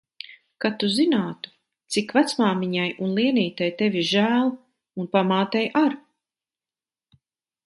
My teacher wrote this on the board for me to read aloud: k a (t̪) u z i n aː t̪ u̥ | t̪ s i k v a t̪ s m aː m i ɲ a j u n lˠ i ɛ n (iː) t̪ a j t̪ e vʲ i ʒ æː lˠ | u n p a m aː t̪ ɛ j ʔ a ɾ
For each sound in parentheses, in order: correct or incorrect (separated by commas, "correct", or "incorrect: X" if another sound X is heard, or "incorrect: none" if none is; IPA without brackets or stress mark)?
correct, correct